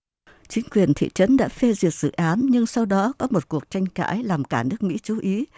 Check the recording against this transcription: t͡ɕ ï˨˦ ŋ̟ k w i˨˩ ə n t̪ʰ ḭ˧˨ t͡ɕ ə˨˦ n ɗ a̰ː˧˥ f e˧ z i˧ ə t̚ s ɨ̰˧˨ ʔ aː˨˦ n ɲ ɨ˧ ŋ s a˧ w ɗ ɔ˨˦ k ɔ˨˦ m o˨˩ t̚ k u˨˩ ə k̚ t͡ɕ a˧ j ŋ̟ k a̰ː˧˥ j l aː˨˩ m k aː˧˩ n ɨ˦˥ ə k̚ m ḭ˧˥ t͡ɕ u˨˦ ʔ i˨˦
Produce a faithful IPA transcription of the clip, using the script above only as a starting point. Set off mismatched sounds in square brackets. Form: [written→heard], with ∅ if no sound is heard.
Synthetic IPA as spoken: t͡ɕ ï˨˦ ŋ̟ k w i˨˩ ə n t̪ʰ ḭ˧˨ t͡ɕ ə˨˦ n ɗ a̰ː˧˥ f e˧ z [i˧→i˨˩] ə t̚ [s→z] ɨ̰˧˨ ʔ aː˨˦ n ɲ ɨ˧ ŋ s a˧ w ɗ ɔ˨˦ k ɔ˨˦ m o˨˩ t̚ k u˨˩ ə k̚ t͡ɕ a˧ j ŋ̟ k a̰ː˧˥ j l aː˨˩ m k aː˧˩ n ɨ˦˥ ə k̚ m ḭ˧˥ t͡ɕ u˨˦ ʔ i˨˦